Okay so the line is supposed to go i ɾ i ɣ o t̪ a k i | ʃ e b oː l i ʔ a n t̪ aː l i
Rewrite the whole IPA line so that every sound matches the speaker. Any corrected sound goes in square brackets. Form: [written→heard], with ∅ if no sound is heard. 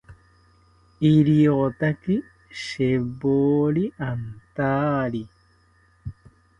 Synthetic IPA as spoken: i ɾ i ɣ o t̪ a k i | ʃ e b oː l i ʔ a n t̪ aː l i